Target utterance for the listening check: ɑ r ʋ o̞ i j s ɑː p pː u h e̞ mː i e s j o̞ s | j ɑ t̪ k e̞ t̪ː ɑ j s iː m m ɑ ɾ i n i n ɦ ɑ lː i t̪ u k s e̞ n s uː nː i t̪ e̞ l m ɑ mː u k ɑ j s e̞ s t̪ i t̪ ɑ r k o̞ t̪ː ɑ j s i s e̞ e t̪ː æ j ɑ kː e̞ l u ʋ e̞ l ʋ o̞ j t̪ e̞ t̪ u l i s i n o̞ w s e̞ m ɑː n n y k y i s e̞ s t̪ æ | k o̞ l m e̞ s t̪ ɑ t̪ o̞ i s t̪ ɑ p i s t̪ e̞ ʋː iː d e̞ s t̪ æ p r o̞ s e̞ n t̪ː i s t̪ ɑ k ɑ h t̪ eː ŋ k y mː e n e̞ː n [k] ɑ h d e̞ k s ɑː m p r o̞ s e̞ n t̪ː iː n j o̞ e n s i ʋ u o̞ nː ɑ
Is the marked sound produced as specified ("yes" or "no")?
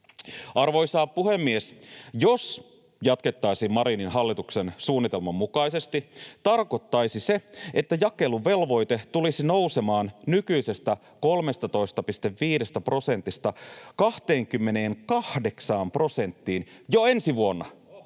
yes